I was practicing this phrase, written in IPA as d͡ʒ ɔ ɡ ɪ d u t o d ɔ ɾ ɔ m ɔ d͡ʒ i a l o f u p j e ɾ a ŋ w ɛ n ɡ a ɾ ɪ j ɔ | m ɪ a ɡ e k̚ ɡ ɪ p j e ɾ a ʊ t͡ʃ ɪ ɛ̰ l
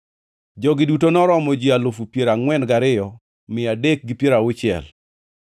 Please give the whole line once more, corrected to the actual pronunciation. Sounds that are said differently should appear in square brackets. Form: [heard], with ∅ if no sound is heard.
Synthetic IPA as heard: d͡ʒ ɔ ɡ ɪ d u t o [n] ɔ ɾ ɔ m ɔ d͡ʒ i a l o f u p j e ɾ a ŋ w ɛ n ɡ a ɾ ɪ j ɔ | m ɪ a [d] e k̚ ɡ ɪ p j e ɾ a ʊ t͡ʃ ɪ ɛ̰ l